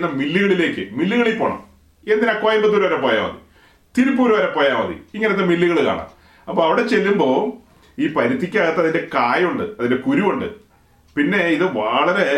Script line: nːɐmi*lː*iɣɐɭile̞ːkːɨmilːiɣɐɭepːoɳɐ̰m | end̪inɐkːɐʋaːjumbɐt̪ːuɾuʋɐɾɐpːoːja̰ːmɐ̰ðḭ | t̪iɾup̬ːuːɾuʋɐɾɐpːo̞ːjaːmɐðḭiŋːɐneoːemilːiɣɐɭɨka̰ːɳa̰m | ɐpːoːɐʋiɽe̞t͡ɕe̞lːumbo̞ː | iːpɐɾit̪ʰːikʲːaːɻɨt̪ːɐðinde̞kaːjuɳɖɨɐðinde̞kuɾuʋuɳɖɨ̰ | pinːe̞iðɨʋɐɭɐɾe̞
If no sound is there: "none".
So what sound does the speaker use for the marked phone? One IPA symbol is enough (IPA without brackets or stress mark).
lː